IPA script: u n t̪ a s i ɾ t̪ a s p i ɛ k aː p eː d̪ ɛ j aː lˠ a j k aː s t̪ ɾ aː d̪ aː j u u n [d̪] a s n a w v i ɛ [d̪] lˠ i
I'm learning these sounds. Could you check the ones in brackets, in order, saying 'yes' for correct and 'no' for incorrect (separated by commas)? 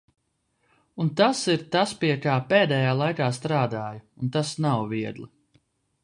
no, yes